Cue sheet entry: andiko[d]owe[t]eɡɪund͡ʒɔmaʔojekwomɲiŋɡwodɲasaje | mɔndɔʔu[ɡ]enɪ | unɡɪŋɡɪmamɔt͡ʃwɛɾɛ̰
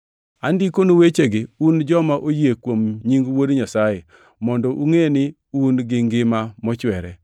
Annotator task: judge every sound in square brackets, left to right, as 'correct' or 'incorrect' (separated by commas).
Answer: incorrect, incorrect, incorrect